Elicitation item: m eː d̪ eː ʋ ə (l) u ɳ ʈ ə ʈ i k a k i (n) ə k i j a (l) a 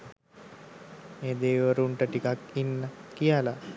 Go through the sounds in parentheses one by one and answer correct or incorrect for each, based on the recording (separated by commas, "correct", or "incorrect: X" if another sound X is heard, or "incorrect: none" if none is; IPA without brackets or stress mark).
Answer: incorrect: ɾ, incorrect: nː, correct